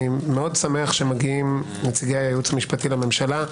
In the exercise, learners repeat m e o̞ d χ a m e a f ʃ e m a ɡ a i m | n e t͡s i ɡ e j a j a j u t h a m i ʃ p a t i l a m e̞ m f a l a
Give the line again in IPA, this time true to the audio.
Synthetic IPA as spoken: m e o̞ d s a m e a χ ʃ e m a ɡ i i m | n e t͡s i ɡ e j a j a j u t͡s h a m i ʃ p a t i l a m e̞ m ʃ a l a